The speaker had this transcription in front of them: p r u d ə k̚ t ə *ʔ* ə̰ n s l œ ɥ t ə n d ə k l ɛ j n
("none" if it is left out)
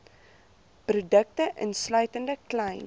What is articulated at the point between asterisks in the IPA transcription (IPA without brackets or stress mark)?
ʔ